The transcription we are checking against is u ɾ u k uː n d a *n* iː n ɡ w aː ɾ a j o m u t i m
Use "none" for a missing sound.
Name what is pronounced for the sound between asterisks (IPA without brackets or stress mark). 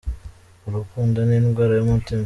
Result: n